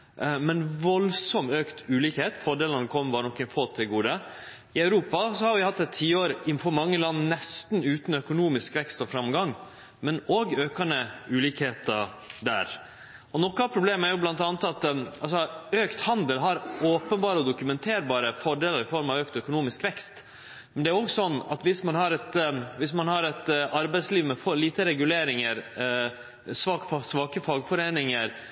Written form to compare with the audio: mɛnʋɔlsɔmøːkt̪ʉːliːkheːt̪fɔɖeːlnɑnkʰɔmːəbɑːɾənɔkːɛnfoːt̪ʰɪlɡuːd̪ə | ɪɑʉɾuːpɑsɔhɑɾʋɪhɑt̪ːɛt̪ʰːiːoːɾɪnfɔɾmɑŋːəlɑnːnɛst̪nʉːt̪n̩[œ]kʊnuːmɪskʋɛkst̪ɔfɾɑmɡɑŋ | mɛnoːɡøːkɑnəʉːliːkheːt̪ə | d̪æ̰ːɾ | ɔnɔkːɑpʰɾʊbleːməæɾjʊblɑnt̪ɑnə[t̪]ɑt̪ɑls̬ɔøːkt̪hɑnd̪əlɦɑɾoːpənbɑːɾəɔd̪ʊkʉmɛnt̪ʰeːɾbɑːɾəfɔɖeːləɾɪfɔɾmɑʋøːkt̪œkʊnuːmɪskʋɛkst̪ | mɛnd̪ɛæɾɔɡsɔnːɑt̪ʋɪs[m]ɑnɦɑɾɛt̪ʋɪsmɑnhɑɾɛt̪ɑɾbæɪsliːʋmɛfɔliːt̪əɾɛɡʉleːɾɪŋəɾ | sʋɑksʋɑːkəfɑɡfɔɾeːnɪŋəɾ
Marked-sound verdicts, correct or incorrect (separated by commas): correct, correct, correct